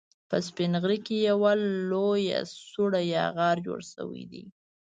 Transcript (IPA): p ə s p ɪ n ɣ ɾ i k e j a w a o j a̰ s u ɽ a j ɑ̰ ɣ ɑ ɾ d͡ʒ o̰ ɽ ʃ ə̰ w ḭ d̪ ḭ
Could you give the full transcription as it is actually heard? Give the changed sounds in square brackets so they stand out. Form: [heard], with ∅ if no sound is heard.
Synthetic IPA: p ə s p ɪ n ɣ ɾ i k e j a w a o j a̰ s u ɽ a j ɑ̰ ɣ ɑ ɾ d͡ʒ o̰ ɽ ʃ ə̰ w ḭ d̪ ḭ